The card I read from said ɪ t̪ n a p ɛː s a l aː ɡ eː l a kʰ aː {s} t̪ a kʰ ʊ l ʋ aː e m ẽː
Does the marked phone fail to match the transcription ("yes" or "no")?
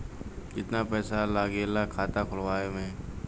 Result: yes